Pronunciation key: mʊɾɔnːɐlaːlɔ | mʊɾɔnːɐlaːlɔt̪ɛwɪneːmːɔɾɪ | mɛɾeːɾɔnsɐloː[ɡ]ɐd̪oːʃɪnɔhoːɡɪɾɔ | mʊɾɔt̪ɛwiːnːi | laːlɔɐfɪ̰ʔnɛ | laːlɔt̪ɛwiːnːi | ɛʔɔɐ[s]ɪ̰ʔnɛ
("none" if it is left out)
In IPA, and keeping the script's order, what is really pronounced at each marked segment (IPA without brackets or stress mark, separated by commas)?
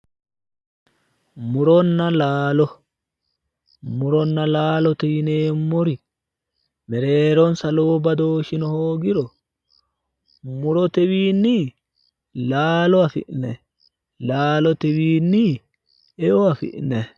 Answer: b, f